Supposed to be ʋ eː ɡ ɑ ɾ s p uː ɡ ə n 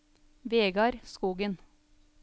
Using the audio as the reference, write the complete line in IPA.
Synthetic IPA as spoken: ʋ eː ɡ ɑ ɾ s k uː ɡ ə n